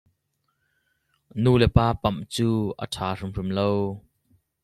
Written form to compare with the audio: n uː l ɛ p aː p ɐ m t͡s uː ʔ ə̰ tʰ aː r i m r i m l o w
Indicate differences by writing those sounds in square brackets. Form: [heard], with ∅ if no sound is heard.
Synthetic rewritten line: n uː l ɛ p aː p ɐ m t͡s uː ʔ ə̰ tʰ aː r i m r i m l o w